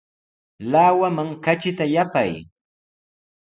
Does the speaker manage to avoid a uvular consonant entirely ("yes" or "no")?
yes